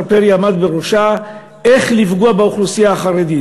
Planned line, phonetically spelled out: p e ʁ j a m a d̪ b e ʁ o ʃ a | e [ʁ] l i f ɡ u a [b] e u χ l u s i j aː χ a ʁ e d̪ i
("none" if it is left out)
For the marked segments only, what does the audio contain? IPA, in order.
χ, b

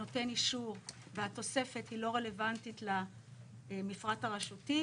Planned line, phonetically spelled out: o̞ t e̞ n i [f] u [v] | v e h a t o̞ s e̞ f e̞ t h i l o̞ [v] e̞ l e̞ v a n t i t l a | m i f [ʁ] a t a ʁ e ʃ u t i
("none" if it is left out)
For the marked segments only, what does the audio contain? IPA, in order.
ʃ, ʁ, ʁ, ʁ

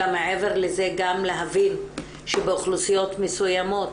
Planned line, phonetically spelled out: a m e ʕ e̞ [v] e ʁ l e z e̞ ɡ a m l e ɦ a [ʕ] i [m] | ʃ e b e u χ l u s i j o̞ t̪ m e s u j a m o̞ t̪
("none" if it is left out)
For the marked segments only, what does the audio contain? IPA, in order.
v, v, n

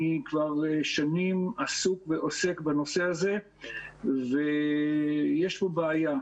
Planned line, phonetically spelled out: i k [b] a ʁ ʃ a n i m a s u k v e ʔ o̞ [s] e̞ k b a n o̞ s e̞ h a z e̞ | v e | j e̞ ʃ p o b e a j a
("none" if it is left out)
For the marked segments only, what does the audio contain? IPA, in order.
v, s

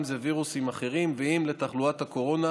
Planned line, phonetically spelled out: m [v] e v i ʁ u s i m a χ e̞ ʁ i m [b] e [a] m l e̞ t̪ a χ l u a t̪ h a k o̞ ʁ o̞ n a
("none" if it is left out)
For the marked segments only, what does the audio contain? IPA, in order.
z, v, i

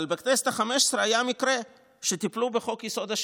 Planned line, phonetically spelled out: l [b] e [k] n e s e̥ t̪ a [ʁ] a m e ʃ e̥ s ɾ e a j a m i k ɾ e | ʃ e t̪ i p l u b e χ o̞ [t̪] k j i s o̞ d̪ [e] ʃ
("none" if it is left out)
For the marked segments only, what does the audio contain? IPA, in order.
b, k, χ, none, a

